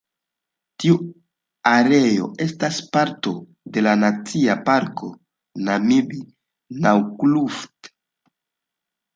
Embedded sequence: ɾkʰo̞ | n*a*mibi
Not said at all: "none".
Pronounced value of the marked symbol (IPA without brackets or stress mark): a